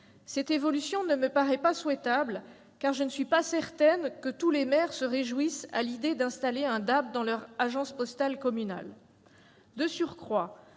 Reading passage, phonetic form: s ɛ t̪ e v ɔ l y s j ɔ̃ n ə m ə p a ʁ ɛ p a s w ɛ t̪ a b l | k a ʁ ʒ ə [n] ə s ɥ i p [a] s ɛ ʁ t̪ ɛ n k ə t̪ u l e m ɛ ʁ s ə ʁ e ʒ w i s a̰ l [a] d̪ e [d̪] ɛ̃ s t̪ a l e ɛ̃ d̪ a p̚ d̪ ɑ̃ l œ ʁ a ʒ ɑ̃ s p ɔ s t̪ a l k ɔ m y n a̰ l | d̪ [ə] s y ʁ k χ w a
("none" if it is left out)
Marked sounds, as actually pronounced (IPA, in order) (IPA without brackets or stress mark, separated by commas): n, a, i, d̪, ə